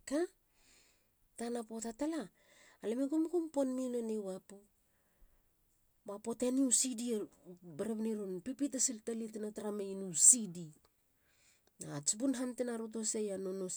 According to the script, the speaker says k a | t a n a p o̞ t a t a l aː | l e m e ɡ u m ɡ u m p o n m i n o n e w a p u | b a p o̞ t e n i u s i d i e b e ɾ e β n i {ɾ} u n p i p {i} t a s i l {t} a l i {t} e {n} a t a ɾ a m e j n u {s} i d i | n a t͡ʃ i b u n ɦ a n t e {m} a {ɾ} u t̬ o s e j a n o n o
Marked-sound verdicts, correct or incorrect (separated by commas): correct, correct, correct, correct, correct, correct, incorrect, correct